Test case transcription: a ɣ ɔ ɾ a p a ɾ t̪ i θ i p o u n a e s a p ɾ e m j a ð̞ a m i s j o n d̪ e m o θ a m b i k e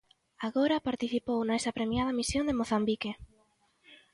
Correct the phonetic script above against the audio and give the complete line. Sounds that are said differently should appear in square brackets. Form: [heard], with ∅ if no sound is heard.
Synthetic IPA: a ɣ [o] ɾ a p a ɾ t̪ i θ i p o [w] n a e s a p ɾ e m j a ð̞ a m i s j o n d̪ e m o θ a m b i k e